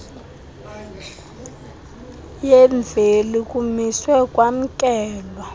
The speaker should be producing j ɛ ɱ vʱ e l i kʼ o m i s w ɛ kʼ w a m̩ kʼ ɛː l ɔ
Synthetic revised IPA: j ɛ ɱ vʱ e l i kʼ u m i s w ɛ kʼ w a m̩ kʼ ɛː l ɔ